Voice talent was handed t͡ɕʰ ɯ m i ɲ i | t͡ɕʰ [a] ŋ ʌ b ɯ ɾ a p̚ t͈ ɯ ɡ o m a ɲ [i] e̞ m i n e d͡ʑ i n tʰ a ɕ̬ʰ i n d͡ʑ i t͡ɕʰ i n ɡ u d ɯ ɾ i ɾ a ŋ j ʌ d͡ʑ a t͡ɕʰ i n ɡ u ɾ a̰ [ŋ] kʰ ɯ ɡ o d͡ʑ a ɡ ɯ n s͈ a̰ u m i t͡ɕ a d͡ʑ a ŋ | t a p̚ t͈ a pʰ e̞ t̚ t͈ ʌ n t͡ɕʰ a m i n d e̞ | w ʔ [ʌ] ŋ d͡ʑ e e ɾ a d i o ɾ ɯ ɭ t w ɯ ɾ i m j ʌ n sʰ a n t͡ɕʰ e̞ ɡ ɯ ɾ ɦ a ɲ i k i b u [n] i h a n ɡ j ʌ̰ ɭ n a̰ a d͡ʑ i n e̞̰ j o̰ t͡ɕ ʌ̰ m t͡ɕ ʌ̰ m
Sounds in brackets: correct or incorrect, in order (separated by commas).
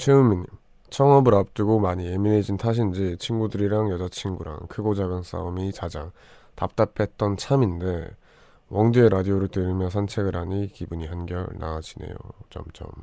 incorrect, correct, correct, correct, incorrect